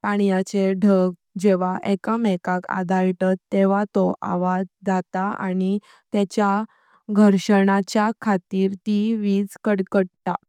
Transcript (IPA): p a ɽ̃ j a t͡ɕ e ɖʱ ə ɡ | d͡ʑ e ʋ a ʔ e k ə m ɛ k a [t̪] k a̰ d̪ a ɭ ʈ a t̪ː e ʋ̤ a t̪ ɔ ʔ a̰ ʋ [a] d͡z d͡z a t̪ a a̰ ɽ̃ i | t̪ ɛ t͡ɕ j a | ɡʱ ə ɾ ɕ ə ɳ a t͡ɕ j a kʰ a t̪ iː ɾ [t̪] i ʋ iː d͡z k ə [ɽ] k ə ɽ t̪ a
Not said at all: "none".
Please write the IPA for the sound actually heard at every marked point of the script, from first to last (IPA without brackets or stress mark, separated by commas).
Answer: none, a, t̪, ɽ